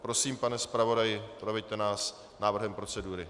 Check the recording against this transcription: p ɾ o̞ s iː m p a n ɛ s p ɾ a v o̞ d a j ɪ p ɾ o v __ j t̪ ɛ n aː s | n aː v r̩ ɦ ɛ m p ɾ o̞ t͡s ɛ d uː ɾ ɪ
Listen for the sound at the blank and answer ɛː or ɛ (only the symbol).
ɛ